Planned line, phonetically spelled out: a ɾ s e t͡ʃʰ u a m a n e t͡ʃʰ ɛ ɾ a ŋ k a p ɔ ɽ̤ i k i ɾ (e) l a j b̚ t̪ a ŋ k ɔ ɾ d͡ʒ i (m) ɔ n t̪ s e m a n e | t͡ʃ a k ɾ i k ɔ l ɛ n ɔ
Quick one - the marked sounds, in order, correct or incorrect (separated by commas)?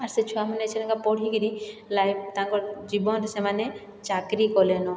incorrect, incorrect